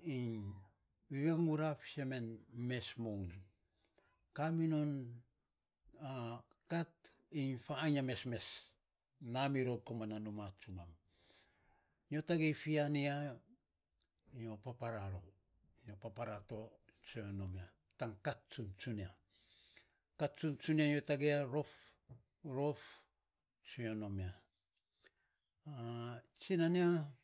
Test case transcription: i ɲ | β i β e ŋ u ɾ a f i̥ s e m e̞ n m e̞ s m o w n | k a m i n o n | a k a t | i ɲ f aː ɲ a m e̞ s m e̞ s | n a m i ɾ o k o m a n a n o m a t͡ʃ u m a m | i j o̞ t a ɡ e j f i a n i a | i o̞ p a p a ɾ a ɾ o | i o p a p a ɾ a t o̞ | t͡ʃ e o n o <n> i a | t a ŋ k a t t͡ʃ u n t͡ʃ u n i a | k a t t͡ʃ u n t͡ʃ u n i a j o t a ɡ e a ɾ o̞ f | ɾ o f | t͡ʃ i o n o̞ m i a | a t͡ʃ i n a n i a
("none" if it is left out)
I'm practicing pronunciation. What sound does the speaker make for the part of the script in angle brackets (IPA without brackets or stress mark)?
m